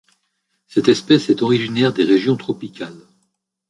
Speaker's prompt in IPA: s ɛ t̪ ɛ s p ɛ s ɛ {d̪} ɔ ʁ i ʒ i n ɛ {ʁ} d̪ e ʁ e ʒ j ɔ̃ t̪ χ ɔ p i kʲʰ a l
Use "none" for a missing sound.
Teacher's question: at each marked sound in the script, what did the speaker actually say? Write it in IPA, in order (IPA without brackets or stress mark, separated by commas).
t̪, ʁ